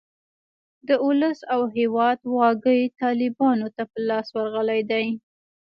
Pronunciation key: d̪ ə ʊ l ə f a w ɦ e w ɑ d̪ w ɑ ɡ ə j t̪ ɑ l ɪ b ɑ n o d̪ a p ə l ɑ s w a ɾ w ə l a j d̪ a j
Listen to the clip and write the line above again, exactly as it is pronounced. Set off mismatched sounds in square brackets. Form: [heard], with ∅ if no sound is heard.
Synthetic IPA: d̪ ə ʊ l ə [s] a w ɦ e w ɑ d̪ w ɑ ɡ ə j t̪ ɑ l ɪ b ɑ n o [t̪] a p ə l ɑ s w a ɾ [ɣ] ə l a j d̪ a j